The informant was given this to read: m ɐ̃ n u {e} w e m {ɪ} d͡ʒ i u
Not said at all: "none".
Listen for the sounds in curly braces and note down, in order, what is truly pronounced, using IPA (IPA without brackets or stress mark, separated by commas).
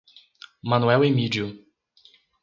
ɛ, i